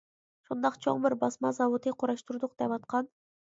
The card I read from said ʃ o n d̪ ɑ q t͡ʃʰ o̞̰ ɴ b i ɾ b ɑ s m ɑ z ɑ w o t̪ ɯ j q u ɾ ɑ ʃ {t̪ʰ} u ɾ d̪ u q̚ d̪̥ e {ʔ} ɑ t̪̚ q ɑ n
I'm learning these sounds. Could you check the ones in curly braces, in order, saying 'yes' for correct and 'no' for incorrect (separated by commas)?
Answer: no, no